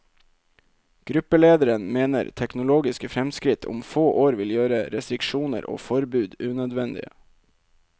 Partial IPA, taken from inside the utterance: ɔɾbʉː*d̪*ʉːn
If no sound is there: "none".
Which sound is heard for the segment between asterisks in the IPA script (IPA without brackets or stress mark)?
d̪